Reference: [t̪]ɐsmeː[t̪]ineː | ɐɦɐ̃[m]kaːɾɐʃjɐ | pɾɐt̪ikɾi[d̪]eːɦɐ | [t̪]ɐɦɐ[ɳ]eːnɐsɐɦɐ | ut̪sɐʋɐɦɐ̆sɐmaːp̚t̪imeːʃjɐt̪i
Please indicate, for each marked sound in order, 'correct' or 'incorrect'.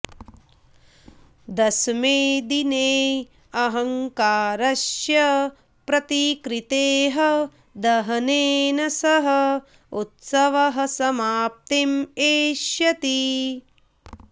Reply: incorrect, incorrect, incorrect, incorrect, incorrect, incorrect

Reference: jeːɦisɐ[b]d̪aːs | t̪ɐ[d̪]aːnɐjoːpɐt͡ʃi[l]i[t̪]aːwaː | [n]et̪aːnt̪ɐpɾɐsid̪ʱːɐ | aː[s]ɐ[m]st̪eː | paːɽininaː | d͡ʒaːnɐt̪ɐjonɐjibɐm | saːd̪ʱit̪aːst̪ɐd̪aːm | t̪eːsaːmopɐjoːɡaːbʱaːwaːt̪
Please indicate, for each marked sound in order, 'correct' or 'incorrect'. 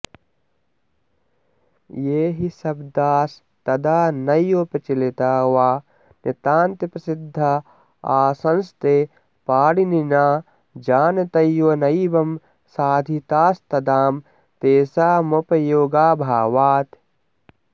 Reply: correct, correct, correct, correct, correct, correct, incorrect

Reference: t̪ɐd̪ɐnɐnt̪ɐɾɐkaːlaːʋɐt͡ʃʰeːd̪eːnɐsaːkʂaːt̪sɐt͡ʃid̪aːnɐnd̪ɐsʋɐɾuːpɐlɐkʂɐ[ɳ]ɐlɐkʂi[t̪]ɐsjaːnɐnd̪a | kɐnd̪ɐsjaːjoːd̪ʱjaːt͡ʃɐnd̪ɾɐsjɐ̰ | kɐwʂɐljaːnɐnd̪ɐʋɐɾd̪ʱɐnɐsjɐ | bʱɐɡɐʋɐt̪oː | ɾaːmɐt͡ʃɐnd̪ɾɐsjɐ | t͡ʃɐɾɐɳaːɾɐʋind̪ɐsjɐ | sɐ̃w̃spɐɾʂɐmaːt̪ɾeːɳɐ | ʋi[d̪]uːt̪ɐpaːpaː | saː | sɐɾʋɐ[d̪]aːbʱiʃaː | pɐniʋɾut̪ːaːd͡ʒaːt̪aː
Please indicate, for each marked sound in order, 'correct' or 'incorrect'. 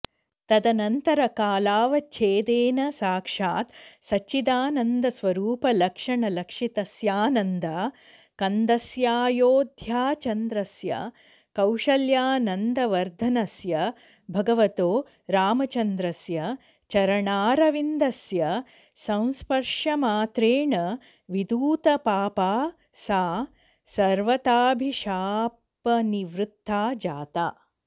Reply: correct, correct, correct, incorrect

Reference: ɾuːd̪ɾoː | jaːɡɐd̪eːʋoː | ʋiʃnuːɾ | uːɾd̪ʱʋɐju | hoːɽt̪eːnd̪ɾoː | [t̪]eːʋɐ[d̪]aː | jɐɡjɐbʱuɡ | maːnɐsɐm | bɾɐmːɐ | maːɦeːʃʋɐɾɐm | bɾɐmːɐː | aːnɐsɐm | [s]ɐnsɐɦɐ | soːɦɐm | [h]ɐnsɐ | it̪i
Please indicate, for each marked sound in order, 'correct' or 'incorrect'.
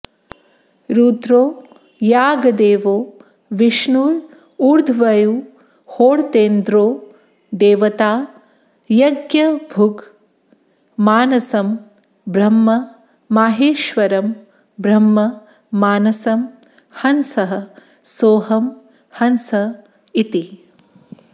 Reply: incorrect, incorrect, incorrect, correct

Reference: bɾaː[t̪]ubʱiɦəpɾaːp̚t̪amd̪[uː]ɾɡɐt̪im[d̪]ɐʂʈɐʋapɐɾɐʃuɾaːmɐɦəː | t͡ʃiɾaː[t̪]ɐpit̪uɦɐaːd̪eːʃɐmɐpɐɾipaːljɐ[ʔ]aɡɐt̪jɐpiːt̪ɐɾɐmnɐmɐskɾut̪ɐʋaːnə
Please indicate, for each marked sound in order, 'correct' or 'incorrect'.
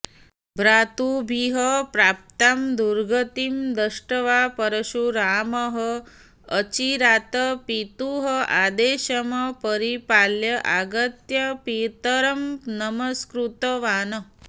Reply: correct, incorrect, correct, correct, correct

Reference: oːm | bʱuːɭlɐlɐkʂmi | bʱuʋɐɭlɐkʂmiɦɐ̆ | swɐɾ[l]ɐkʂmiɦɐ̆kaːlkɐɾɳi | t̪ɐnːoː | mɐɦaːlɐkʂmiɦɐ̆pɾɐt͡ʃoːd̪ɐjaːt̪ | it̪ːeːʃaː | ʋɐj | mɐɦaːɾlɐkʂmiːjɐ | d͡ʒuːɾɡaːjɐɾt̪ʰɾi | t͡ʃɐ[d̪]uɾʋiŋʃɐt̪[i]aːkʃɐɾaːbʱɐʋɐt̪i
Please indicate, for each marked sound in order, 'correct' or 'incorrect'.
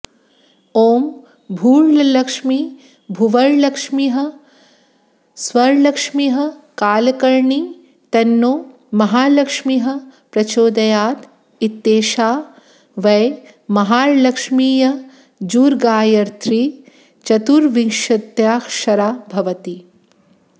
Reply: correct, incorrect, incorrect

